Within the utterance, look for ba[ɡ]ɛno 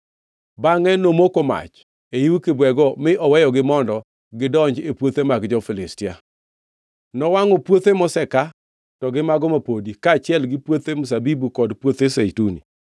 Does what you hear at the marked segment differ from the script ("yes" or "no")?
yes